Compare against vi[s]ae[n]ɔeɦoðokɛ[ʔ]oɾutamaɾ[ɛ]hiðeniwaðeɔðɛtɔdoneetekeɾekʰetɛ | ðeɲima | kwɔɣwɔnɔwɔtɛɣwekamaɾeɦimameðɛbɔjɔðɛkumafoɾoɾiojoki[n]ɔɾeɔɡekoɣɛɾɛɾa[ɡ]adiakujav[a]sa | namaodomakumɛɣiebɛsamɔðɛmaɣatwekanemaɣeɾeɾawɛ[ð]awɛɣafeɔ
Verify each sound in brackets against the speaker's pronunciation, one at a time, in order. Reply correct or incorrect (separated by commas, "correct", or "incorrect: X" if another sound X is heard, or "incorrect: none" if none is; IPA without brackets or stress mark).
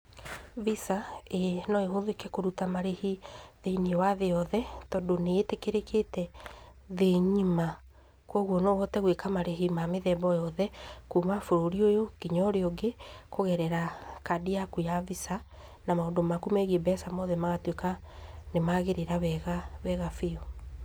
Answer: correct, correct, incorrect: k, incorrect: e, incorrect: ɲ, incorrect: k, incorrect: i, incorrect: ɣ